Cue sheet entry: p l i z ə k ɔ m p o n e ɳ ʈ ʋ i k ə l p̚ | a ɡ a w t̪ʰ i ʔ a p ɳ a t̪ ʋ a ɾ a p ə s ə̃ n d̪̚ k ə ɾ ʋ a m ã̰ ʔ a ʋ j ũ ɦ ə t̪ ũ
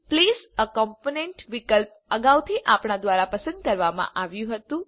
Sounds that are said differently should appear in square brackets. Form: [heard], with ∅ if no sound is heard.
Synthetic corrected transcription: p l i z ə k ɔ m p o n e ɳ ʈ ʋ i k ə l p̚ | [ə] ɡ a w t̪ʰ i ʔ a p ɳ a [d̪] ʋ a ɾ a p ə s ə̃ n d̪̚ k ə ɾ ʋ a m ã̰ ʔ a ʋ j ũ ɦ ə t̪ ũ